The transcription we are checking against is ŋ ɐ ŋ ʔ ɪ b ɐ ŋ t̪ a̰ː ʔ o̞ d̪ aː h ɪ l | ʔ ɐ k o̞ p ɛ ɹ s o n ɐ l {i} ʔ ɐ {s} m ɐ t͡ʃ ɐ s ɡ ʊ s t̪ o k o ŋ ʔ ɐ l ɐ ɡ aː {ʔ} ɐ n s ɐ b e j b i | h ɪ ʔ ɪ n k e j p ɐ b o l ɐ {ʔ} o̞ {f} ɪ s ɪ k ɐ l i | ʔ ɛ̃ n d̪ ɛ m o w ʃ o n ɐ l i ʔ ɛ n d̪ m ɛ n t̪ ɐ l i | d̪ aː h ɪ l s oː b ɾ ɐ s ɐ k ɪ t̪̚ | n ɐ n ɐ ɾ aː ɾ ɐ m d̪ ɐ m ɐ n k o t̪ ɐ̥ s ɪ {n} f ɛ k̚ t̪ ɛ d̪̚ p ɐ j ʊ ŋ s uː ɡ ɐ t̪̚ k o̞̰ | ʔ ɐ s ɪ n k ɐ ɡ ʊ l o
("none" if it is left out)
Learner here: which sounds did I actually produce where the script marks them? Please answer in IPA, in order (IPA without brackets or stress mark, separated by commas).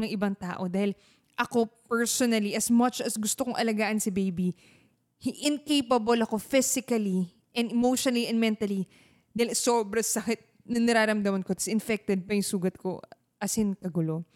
i, s, ʔ, k, f, n